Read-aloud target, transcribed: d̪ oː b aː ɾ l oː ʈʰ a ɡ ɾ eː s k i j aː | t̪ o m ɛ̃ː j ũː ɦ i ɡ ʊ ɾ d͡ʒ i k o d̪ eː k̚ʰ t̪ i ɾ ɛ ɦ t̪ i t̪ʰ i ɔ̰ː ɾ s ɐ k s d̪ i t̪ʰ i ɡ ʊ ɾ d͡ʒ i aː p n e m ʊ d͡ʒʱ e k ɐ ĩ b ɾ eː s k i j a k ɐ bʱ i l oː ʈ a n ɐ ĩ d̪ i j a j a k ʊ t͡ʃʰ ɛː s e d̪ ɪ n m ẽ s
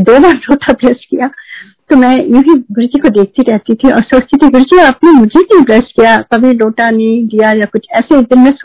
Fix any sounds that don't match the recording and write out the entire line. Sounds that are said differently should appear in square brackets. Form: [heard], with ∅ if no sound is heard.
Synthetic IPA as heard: d̪ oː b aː ɾ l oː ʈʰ a [b] ɾ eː s k i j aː | t̪ o m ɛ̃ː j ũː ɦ i ɡ ʊ ɾ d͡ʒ i k o d̪ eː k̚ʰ t̪ i ɾ ɛ ɦ t̪ i t̪ʰ i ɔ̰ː ɾ s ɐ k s [t̪] i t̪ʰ i ɡ ʊ ɾ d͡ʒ i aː p n e m ʊ d͡ʒʱ e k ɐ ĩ b ɾ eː s k i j a k ɐ bʱ i l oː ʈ a n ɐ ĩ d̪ i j a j a k ʊ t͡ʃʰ ɛː s e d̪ ɪ n m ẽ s